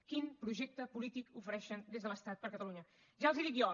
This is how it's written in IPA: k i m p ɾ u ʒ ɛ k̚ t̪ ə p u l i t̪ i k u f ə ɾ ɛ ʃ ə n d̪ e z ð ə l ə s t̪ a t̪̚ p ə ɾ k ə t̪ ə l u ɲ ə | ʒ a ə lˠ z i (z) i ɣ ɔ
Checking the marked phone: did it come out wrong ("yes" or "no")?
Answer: yes